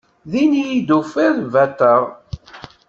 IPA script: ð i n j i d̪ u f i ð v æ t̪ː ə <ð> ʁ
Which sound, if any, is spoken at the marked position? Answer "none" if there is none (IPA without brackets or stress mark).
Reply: none